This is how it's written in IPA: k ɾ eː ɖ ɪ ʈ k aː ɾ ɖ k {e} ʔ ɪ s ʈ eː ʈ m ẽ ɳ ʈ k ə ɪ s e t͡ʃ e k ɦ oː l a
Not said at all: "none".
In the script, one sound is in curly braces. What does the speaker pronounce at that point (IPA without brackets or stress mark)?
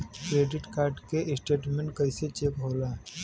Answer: e